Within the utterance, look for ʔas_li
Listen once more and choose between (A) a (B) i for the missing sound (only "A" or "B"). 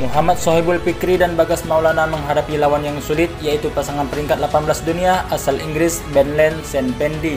A